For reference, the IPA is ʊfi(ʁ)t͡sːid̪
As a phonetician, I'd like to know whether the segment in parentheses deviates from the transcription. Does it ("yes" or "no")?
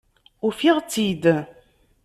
no